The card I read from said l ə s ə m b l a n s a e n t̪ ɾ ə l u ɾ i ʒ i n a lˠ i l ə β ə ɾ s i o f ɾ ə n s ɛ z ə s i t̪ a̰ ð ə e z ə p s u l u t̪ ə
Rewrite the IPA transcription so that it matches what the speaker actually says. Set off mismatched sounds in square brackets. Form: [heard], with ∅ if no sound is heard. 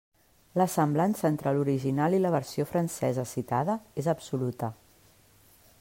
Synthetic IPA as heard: l ə s ə m b l a n s [ə] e n t̪ ɾ ə l u ɾ i ʒ i n a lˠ i l ə β ə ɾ s i o f ɾ ə n s ɛ z ə s i t̪ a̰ ð ə e z ə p s u l u t̪ ə